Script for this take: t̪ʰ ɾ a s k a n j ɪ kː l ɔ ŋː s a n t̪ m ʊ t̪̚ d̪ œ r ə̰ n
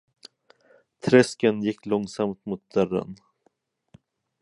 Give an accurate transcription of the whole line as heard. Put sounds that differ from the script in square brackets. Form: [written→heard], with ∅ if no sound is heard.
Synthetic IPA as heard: t̪ʰ ɾ [a→ɛ] s k [a→ə] n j ɪ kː l ɔ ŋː s a [n→m] t̪ m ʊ t̪̚ d̪ œ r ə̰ n

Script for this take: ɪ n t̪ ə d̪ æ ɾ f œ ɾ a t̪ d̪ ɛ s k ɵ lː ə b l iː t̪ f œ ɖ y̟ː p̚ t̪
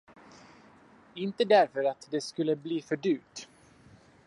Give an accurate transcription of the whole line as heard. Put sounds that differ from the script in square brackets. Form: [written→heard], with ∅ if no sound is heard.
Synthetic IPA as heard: ɪ n t̪ ə d̪ æ ɾ f œ ɾ a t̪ d̪ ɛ s k ɵ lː ə b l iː [t̪→∅] f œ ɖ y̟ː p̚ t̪

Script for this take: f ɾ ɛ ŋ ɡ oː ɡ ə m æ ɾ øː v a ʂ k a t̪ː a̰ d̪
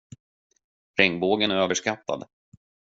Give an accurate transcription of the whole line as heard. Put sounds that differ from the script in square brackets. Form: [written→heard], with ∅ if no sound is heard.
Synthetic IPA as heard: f ɾ ɛ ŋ [ɡ→b] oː ɡ ə [m→n] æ ɾ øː v [a→ə] ʂ k a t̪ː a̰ d̪

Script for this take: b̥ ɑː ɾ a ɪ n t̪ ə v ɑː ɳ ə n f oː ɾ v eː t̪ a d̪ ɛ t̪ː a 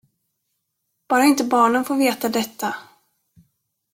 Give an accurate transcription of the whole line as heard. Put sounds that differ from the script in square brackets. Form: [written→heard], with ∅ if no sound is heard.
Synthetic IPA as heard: b̥ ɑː ɾ a ɪ n t̪ ə [v→b] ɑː ɳ ə n f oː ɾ v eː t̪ a d̪ ɛ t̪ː a

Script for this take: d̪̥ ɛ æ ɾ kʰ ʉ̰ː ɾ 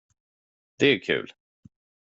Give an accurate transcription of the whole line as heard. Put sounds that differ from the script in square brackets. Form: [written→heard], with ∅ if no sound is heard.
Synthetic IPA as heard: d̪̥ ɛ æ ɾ kʰ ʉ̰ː [ɾ→l]

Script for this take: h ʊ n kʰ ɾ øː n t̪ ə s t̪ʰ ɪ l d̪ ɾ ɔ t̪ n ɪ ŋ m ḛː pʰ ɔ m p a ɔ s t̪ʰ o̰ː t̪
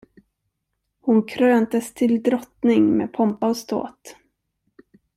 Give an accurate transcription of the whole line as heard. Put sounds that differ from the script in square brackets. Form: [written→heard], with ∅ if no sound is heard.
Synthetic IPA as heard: h ʊ n kʰ ɾ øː n t̪ ə s t̪ʰ ɪ l d̪ ɾ ɔ t̪ n ɪ ŋ m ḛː pʰ ɔ m p a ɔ s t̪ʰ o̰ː t̪

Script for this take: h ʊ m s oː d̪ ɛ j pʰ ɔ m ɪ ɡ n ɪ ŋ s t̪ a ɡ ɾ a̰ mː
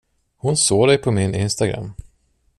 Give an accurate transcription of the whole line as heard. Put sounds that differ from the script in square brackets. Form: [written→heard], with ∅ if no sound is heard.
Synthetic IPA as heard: h ʊ [m→n] s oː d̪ ɛ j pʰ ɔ m ɪ [ɡ→∅] n ɪ [ŋ→n] s t̪ a ɡ ɾ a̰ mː

